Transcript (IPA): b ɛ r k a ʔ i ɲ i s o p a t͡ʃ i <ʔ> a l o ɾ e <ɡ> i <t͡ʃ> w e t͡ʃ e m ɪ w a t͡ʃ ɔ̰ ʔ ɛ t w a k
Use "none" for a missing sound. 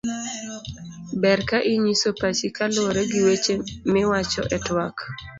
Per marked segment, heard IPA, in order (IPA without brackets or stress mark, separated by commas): k, ɡ, none